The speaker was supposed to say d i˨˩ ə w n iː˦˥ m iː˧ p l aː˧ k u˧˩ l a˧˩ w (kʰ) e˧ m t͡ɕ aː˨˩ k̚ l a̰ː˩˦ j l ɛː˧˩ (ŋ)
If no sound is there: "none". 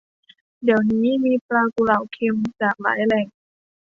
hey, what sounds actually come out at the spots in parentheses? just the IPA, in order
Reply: kʰ, ŋ

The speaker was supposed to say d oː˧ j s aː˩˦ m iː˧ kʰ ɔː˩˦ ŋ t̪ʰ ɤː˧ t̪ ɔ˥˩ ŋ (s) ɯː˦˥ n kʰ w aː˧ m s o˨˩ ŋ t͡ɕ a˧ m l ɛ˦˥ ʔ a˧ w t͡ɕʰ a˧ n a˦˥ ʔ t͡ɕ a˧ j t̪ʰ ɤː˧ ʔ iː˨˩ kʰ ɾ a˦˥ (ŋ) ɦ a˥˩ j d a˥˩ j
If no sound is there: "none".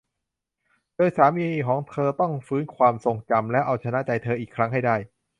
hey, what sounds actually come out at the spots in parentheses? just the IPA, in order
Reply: f, ŋ

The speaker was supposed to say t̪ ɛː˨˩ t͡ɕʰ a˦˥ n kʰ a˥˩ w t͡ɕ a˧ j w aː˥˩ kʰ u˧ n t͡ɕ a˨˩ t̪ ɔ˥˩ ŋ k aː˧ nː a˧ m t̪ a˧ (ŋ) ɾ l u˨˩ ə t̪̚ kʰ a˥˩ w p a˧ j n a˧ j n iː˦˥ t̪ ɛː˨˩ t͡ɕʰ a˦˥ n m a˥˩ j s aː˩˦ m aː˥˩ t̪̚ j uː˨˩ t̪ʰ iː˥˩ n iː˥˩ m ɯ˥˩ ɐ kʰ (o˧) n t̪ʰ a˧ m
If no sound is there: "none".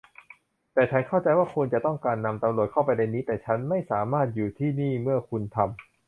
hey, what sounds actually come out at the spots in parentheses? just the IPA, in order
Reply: m, u˧

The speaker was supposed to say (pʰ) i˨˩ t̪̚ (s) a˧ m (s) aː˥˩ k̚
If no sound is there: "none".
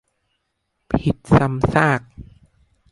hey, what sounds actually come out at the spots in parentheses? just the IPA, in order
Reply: pʰ, s, s

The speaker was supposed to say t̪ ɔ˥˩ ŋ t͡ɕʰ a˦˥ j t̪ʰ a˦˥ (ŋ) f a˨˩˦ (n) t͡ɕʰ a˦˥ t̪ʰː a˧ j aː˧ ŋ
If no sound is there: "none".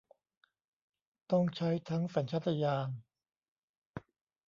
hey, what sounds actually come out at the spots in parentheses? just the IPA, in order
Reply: ŋ, n

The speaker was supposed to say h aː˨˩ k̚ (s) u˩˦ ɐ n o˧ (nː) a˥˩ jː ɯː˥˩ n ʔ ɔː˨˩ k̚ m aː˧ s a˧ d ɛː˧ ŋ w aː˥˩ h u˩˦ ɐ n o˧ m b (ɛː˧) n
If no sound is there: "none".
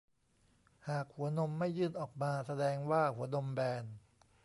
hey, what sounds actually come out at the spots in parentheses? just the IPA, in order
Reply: h, mː, ɛː˧

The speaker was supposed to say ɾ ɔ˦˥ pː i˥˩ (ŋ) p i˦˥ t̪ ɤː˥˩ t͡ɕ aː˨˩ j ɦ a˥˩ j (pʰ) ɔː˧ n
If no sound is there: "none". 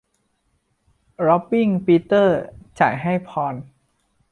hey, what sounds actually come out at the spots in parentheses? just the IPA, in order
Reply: ŋ, pʰ

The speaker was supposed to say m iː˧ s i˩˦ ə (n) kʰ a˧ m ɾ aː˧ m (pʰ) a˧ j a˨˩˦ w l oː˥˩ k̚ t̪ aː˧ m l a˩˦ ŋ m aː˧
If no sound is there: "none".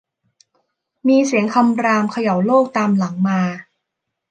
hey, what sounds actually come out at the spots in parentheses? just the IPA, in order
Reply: ŋ, kʰ

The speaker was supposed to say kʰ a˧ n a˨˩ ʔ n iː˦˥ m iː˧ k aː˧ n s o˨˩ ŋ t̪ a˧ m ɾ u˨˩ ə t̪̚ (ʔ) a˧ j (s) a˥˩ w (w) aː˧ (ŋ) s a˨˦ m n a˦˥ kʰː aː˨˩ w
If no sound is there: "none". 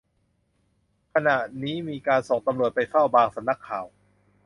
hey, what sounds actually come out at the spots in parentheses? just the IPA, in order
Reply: p, f, b, ŋ

